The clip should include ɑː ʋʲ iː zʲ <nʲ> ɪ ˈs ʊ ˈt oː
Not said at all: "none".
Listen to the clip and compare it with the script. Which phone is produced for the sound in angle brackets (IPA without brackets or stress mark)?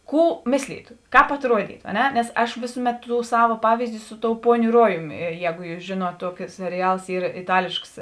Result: dʲ